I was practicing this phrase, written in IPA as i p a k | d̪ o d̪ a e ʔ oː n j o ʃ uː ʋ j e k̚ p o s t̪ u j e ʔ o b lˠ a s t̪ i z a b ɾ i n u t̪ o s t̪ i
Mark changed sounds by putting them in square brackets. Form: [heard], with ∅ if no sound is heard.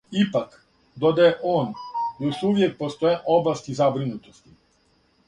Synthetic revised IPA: i p a k | d̪ o d̪ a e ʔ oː n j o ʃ [u] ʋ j e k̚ p o s t̪ [o] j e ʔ o b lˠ a s t̪ i z a b ɾ i n u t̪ o s t̪ i